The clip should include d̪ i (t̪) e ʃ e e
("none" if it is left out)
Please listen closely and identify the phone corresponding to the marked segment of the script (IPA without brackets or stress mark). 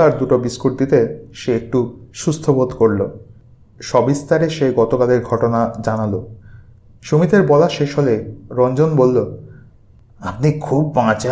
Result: t̪